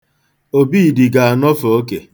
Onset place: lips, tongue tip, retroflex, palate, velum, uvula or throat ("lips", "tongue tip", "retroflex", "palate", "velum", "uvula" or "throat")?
lips